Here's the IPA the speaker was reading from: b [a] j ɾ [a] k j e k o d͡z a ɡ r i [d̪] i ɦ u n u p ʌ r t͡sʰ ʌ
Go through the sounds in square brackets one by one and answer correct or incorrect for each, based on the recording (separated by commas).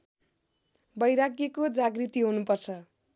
incorrect, correct, incorrect